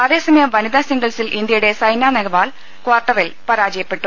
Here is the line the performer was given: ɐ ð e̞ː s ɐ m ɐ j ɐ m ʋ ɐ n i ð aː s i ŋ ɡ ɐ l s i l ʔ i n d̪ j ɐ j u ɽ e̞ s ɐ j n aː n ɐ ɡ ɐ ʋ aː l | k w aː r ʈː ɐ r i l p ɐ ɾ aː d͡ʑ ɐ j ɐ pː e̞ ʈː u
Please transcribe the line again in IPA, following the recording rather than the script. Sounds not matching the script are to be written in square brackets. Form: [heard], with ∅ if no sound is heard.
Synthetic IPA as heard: ɐ ð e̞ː s ɐ m ɐ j ɐ m ʋ ɐ n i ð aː s i ŋ ɡ ɐ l s i l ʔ i n d̪ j ɐ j u ɽ e̞ s ɐ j n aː n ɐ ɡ ɐ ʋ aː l | k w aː r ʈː ɐ r i l p ɐ ɾ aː d͡ʑ ɐ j ɐ pː e̞ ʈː u